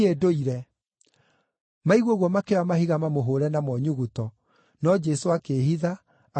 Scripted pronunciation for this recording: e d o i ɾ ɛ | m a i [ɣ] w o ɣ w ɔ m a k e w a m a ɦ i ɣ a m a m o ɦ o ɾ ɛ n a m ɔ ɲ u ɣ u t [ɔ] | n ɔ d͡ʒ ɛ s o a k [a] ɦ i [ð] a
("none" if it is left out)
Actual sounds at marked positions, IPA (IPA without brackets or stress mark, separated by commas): ɣ, ɔ, e, ð